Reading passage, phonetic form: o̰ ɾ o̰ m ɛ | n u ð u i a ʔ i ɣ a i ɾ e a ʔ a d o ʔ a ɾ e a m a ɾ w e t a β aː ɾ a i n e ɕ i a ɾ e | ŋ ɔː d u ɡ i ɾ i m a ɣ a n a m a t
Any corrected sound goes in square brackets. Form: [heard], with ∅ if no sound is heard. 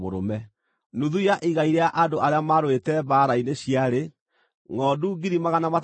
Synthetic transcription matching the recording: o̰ ɾ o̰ m ɛ | n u ð u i a ʔ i ɣ a i ɾ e a ʔ a d o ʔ a ɾ e a m a ɾ w e t [ɛ] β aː ɾ a i n e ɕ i a ɾ e | ŋ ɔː d u ɡ i ɾ i m a ɣ a n a m a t